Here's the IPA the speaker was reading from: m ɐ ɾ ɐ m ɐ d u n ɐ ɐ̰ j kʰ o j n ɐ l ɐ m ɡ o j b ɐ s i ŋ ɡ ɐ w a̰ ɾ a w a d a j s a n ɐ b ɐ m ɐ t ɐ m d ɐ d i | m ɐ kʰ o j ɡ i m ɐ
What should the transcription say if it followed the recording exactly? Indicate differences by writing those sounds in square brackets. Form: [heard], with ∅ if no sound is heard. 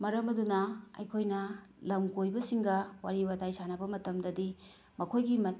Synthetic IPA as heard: m ɐ ɾ ɐ m ɐ d u n ɐ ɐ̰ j kʰ o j n ɐ l ɐ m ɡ o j b ɐ s i ŋ ɡ ɐ w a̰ ɾ [i] w a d a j s a n ɐ b ɐ m ɐ t ɐ m d ɐ d i | m ɐ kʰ o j ɡ i m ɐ